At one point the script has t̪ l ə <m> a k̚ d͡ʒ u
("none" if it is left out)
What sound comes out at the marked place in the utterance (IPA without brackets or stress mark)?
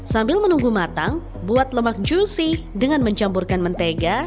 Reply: m